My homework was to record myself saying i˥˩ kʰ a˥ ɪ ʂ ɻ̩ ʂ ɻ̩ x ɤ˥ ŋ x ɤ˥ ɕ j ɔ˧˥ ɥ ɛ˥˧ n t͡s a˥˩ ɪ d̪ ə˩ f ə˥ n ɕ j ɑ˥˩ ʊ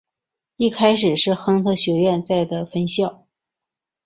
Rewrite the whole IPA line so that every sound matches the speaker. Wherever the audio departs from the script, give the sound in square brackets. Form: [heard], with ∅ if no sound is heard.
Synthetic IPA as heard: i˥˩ kʰ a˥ ɪ ʂ ɻ̩ ʂ ɻ̩ x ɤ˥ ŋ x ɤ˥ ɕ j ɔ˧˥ ɥ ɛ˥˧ n t͡s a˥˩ ɪ d̪ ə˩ f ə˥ n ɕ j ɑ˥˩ ʊ